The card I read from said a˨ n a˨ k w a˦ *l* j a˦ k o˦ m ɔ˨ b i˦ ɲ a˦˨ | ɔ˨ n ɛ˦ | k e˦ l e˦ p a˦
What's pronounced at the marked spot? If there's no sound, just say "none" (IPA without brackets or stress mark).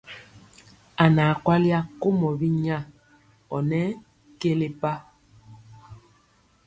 l